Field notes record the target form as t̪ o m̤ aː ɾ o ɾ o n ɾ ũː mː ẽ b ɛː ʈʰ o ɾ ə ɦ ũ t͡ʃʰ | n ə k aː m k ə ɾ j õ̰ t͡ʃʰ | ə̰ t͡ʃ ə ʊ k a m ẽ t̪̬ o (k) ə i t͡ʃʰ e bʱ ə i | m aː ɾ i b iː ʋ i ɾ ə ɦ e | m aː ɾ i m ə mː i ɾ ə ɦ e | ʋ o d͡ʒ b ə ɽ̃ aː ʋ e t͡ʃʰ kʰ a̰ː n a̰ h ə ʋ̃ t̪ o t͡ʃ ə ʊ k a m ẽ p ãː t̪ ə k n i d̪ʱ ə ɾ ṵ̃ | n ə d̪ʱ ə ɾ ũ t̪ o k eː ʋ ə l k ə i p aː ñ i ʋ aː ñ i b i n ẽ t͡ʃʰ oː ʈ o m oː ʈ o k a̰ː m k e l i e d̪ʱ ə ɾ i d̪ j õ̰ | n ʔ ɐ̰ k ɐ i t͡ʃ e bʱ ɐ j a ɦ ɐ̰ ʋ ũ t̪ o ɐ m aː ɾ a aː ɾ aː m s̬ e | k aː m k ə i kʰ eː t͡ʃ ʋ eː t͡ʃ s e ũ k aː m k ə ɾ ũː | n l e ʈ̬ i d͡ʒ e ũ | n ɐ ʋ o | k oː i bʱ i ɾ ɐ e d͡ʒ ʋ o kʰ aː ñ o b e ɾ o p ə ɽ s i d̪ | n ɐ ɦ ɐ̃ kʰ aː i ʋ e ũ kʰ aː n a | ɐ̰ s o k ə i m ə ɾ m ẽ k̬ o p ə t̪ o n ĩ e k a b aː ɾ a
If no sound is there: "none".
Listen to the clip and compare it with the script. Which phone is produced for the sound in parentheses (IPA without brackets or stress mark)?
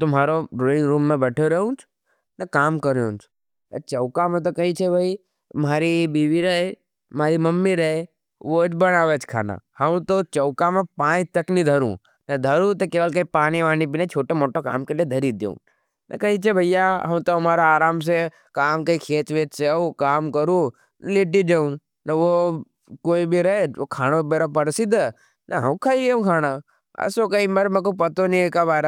k